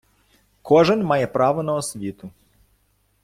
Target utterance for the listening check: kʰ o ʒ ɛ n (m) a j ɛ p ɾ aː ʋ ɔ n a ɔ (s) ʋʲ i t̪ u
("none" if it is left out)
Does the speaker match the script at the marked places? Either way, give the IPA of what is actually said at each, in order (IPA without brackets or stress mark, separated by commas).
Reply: m, s